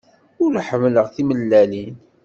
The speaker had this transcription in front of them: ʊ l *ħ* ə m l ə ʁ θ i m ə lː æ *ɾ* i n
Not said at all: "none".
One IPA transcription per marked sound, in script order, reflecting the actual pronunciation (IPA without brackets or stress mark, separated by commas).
ħ, l